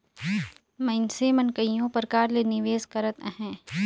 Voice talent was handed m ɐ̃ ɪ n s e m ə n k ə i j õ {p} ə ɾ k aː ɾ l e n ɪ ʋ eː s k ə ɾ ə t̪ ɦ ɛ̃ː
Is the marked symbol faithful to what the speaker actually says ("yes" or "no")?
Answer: yes